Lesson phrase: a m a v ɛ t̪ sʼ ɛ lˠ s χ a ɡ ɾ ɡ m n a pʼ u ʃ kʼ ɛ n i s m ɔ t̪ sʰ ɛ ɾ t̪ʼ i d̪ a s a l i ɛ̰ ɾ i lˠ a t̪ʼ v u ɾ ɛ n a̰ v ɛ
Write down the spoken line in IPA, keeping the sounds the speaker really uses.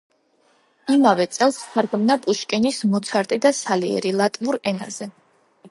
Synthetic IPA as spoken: i m a v ɛ t̪ sʼ ɛ lˠ s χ a ɾ ɡ m n a pʼ u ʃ kʼ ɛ n i s m ɔ t̪ sʰ a ɾ t̪ʼ i d̪ a s a l i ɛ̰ ɾ i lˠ a t̪ʼ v u ɾ ɛ n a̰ z ɛ